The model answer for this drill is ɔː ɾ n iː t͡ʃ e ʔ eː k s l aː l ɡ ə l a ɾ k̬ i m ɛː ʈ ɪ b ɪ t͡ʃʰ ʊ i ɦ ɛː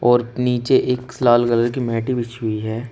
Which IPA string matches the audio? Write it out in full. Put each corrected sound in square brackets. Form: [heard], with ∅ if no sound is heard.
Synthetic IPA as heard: ɔː ɾ n iː t͡ʃ e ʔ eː k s l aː l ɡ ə l [ə] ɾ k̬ i m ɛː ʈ [i] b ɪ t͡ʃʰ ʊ i ɦ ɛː